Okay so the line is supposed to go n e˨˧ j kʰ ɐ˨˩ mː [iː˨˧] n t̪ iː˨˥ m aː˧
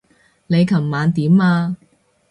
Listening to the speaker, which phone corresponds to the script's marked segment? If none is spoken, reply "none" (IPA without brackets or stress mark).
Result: aː˨˧